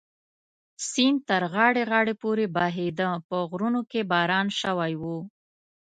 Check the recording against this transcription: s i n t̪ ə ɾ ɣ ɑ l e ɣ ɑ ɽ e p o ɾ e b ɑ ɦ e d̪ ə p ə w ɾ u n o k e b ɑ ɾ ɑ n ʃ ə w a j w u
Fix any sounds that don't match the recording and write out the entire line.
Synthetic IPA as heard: s i n t̪ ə ɾ ɣ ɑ ɽ e ɣ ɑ ɽ e p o ɾ e b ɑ ɦ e d̪ ə p ə ɣ ɾ u n o k e b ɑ ɾ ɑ n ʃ ə w a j w u